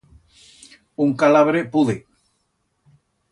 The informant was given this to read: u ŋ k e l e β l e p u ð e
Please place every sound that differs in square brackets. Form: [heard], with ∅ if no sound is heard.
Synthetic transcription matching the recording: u ŋ k [a] l [a] β [ɾ] e p u ð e